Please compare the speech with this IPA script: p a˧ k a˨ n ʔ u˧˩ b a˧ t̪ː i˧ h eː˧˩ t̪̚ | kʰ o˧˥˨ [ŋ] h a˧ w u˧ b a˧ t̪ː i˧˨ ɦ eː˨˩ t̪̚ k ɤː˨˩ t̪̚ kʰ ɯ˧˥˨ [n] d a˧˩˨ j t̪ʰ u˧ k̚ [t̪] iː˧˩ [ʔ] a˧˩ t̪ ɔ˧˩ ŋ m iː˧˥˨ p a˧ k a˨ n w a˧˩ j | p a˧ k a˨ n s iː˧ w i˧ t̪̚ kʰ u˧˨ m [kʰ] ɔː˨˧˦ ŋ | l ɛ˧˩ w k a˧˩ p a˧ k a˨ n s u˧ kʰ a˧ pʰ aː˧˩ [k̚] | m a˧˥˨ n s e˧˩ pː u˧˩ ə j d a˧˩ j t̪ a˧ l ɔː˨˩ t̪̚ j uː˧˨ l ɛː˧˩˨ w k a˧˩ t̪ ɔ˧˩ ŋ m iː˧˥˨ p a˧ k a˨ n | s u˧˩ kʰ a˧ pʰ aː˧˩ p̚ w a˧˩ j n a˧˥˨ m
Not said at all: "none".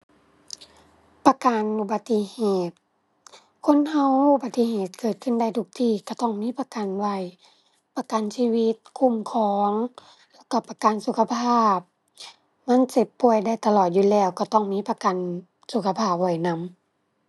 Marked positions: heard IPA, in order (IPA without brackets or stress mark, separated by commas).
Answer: n, n, t̪ʰ, k, kʰ, p̚